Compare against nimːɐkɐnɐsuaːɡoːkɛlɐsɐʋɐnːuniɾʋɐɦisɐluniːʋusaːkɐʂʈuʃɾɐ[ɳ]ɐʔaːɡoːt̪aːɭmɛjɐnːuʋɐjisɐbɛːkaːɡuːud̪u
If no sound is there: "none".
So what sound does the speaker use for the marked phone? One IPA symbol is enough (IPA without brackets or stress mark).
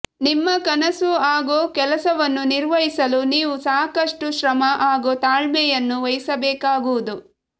m